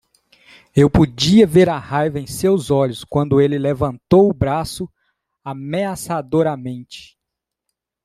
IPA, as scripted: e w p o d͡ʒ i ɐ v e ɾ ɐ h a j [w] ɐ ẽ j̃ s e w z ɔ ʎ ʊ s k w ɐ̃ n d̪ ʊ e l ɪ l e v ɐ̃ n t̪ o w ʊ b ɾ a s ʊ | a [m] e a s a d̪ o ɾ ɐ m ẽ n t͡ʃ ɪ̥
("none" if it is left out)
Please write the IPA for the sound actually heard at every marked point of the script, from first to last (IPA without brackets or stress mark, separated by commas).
v, m